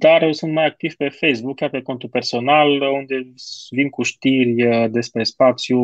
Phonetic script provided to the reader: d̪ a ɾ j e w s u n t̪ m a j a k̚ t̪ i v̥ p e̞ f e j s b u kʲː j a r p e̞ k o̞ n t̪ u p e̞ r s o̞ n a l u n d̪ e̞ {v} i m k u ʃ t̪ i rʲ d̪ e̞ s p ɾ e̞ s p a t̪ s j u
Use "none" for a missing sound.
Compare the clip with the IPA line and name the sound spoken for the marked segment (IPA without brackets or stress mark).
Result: v